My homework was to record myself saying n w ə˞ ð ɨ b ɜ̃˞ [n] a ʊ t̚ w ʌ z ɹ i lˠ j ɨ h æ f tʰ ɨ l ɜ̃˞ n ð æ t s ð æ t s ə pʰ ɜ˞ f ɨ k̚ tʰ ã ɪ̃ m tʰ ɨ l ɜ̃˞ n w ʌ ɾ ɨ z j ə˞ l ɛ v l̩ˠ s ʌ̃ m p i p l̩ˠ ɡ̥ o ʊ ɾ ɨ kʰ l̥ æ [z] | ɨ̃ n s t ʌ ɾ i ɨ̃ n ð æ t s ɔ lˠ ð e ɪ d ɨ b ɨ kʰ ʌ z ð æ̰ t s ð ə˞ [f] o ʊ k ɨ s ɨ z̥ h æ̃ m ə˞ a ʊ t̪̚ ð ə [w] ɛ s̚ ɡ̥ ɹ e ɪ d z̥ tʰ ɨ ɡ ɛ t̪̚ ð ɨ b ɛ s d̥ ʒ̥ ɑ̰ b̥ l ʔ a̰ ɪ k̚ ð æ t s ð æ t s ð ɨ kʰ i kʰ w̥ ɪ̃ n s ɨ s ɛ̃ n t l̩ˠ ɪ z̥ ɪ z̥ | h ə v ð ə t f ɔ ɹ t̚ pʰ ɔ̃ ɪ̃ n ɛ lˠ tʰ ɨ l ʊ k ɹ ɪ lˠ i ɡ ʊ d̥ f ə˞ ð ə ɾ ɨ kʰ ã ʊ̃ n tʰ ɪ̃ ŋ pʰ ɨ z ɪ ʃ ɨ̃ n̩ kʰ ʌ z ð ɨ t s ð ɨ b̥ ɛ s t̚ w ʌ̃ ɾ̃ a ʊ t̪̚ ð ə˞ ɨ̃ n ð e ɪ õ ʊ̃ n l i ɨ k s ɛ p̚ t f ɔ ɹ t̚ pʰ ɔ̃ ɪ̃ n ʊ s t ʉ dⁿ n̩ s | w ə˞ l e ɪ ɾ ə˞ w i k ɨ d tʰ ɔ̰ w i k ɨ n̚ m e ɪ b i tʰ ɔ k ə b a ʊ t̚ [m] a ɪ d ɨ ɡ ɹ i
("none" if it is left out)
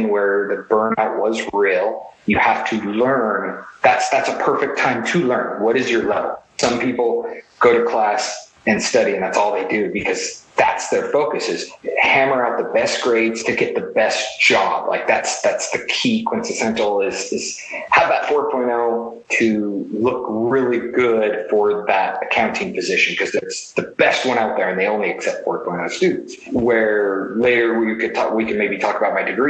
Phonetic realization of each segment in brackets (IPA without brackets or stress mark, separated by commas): n, s, f, b, m